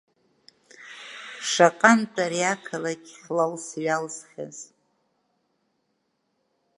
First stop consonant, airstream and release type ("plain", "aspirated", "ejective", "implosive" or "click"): ejective